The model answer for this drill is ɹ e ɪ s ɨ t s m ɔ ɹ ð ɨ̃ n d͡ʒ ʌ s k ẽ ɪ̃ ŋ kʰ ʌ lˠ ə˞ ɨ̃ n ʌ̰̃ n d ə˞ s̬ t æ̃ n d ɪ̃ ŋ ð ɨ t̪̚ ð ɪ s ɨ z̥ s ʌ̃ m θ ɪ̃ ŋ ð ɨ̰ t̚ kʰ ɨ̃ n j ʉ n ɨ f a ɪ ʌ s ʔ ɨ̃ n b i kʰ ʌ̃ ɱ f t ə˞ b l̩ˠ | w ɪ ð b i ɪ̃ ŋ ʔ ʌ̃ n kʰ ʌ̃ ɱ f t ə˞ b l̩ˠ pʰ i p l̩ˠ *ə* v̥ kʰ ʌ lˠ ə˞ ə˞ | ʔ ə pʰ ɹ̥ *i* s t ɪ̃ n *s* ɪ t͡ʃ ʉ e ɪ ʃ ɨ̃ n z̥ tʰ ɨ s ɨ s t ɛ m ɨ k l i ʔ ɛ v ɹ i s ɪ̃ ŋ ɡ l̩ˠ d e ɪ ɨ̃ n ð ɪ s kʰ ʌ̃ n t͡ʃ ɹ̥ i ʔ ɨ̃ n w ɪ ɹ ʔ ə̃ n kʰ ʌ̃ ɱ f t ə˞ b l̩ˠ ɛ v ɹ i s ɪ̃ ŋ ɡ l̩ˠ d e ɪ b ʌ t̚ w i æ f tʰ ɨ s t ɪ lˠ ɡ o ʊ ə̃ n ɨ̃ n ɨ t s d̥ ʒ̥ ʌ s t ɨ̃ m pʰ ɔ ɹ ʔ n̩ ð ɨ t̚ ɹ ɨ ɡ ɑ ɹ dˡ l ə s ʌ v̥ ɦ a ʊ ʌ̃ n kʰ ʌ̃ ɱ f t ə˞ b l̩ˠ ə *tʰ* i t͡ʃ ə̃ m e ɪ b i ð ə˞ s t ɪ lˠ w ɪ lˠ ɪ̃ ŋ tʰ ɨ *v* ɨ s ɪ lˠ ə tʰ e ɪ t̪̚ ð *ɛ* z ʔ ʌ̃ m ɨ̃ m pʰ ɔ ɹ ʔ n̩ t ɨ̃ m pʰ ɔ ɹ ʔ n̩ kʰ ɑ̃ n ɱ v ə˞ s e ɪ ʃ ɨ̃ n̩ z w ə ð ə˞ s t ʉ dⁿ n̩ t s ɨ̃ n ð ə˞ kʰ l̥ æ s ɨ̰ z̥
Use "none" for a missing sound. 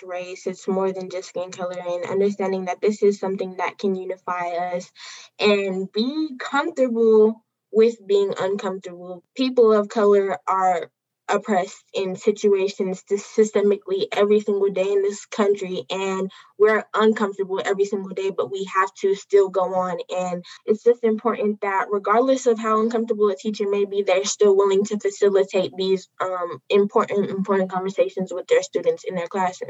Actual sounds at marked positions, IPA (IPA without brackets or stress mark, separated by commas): ʌ, ɛ, s, tʰ, f, i